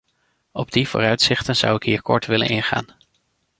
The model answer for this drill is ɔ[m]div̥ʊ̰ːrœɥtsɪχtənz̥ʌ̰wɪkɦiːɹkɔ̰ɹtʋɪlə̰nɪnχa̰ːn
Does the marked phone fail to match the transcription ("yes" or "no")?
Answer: yes